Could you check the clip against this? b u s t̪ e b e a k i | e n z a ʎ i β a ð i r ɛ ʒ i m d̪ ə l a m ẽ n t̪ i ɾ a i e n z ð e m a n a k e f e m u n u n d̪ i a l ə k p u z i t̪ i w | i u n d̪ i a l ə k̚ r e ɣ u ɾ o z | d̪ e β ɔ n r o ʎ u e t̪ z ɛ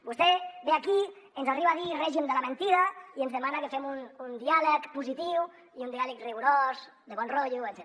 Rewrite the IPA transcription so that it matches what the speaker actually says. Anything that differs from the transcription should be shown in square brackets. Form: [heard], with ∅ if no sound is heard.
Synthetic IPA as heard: b u s t̪ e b e a k i | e n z a [r] i β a ð i r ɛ ʒ i m d̪ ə l a m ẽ n t̪ i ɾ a i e n z ð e m a n a k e f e m u n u n d̪ i a l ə k p u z i t̪ i w | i u n d̪ i a l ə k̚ r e ɣ u ɾ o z | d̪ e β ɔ n r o ʎ u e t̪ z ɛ